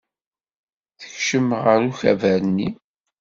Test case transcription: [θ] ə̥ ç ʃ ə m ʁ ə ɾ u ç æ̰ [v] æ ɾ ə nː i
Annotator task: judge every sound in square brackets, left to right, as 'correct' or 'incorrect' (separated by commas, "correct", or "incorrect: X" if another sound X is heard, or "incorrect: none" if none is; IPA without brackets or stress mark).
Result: correct, correct